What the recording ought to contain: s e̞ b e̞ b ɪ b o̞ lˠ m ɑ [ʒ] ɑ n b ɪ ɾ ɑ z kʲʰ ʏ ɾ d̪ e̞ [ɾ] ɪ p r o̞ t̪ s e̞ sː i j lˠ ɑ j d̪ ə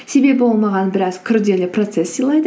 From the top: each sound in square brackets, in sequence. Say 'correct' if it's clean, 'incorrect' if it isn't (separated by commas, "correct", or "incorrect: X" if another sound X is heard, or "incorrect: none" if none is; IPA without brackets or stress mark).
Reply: incorrect: ʁ, incorrect: l